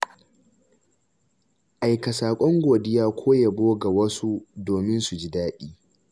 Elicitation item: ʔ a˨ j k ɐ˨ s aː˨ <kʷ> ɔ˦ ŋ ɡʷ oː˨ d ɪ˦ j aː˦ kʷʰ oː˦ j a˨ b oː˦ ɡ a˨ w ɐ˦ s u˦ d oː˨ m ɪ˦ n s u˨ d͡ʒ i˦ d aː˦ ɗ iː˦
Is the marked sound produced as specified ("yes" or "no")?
no